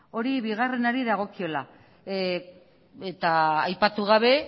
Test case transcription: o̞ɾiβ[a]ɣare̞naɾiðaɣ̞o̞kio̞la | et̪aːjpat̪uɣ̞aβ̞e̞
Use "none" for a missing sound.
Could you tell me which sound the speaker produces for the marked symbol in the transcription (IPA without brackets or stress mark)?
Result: i